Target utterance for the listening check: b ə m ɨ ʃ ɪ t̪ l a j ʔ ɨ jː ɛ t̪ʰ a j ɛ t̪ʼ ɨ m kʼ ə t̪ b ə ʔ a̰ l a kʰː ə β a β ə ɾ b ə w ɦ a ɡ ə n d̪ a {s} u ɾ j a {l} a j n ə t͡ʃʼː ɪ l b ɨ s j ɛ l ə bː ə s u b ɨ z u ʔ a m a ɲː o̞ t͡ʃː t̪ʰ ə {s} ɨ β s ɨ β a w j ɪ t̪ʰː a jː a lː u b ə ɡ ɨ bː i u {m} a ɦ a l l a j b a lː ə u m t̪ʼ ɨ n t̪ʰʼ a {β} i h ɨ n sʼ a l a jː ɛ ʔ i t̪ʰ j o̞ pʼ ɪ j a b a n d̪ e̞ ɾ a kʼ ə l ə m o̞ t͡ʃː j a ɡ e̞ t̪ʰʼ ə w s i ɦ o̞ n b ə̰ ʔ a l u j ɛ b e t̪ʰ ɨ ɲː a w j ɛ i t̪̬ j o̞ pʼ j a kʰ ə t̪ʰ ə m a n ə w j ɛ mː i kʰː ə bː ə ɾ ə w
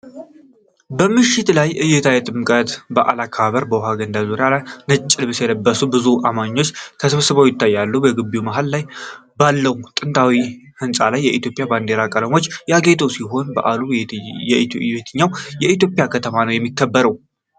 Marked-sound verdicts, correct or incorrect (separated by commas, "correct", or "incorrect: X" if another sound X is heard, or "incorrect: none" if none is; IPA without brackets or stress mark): incorrect: z, correct, correct, correct, incorrect: w